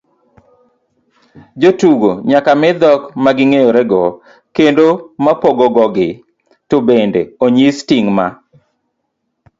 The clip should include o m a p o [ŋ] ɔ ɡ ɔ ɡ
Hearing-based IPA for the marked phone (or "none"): ɡ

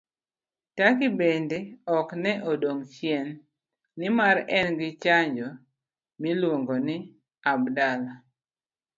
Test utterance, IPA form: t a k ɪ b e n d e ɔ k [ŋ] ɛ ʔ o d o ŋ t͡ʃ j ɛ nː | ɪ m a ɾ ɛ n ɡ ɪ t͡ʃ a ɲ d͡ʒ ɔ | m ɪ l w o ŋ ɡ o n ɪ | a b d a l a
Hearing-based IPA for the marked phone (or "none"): n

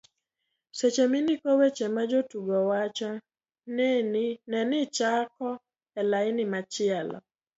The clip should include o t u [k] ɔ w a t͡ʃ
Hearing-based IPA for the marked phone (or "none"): ɡ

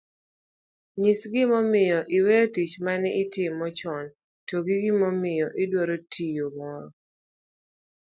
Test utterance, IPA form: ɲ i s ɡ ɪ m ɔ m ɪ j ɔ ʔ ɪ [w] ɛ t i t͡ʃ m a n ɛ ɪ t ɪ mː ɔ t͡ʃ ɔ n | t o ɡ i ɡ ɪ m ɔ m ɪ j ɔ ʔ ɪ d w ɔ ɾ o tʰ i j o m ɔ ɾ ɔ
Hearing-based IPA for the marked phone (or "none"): w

